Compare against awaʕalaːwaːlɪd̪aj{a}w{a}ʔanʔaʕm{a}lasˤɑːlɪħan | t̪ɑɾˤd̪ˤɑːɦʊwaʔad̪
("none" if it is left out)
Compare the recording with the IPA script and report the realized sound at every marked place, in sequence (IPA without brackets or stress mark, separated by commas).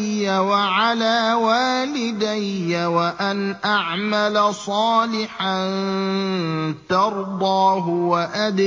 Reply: a, a, a